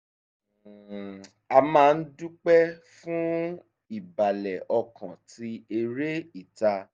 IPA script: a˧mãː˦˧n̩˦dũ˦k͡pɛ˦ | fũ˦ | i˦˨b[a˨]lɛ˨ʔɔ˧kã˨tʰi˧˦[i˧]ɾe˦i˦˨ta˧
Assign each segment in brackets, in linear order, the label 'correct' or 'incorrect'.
correct, incorrect: e˧

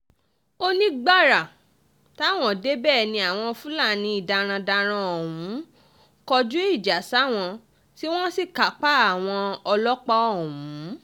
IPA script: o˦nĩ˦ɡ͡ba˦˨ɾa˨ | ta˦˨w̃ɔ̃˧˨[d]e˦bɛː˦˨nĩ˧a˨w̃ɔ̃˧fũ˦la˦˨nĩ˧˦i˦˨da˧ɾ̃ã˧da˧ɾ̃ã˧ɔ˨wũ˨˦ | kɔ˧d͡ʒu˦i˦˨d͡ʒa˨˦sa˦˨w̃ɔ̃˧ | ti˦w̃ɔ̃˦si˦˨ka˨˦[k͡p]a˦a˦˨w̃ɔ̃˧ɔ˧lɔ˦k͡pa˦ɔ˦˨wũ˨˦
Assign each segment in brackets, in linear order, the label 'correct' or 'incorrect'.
correct, correct

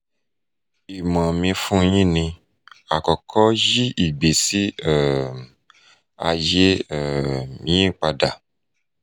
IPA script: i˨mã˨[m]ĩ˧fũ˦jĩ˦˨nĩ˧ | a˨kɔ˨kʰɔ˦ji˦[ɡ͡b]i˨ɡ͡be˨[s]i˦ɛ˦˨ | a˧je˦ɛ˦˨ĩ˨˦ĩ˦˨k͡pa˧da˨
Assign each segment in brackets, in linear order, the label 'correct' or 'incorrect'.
correct, incorrect: none, correct

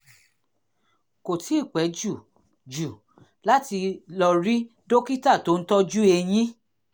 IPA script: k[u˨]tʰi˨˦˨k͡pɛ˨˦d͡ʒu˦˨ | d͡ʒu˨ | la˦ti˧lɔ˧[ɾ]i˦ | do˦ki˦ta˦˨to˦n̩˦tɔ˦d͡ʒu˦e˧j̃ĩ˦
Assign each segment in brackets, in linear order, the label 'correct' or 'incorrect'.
incorrect: o˨, correct

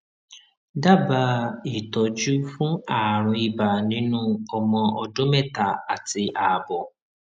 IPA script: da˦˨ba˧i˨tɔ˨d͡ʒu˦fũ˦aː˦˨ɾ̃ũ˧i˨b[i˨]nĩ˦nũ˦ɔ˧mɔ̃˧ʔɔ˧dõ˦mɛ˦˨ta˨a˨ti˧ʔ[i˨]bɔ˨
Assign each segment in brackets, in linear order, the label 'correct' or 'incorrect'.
incorrect: a˨, incorrect: a˨

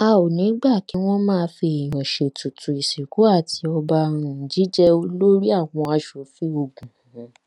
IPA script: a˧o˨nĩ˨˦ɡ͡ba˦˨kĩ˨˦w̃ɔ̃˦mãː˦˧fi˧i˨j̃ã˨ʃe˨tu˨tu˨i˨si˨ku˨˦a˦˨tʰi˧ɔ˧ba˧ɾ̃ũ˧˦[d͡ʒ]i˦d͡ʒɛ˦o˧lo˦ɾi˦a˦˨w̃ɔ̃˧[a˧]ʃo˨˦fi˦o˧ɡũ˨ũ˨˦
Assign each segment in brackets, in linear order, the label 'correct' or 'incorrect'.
correct, correct

